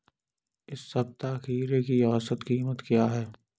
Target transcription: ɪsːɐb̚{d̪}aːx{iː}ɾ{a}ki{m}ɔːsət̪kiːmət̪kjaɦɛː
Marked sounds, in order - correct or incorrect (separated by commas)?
incorrect, correct, incorrect, incorrect